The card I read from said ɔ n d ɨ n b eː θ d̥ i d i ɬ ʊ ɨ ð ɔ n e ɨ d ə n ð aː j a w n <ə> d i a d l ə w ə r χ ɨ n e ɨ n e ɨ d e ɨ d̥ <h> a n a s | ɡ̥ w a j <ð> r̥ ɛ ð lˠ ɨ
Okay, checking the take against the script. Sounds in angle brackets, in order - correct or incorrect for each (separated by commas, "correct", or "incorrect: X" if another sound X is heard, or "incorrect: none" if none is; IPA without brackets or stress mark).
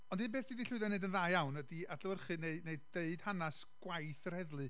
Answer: correct, correct, incorrect: θ